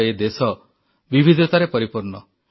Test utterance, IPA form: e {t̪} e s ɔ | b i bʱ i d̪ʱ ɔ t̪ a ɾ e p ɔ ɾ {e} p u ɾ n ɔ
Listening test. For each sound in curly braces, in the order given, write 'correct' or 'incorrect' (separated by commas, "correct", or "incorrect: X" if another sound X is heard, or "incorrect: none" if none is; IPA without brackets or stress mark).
incorrect: d̪, incorrect: i